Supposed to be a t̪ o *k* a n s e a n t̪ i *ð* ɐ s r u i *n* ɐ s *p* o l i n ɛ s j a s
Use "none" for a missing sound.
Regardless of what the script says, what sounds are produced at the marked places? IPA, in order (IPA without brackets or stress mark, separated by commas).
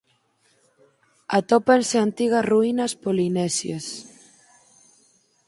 p, ɣ, n, p